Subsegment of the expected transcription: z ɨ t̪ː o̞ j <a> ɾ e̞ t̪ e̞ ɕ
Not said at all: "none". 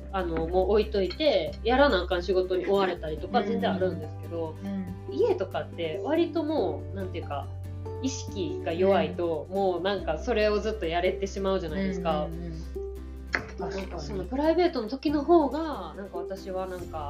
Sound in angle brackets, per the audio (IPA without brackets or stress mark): a